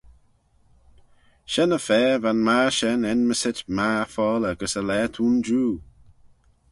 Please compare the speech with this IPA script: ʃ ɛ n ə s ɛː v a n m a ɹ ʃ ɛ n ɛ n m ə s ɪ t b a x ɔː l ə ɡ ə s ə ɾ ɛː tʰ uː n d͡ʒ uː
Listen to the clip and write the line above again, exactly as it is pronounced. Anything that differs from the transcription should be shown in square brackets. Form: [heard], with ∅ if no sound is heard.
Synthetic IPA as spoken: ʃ ɛ n ə [f] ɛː v a n m a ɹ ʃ ɛ n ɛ n m ə s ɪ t [m] a [f] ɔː l ə ɡ ə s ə [l] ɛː tʰ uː n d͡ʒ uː